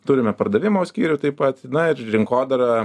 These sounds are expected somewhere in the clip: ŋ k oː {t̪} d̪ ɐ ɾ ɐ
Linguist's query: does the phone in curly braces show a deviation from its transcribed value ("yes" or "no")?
yes